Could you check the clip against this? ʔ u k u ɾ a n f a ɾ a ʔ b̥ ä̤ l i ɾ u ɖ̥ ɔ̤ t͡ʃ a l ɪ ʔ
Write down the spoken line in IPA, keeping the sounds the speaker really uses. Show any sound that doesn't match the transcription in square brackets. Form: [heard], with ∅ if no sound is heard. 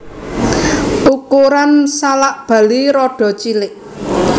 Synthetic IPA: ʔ u k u ɾ a n [s] a [l] a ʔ b̥ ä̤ l i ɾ [ɔ] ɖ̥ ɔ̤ t͡ʃ [i] l ɪ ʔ